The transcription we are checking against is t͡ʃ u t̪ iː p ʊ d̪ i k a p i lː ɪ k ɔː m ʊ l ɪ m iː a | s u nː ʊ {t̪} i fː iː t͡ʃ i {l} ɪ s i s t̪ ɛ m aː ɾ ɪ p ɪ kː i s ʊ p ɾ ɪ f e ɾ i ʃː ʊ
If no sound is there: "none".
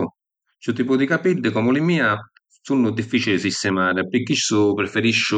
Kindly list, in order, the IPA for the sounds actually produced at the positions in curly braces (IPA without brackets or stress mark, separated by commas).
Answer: d̪, l